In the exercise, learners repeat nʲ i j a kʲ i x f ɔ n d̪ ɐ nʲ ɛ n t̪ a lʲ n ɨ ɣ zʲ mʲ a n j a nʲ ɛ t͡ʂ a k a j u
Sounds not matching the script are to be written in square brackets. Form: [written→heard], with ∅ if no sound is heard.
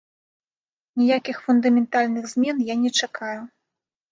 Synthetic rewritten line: nʲ i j a kʲ i x f [ɔ→u] n d̪ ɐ [nʲ→mʲ] ɛ n t̪ a lʲ n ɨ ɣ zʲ mʲ [a→ɛ] n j a nʲ ɛ t͡ʂ a k a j u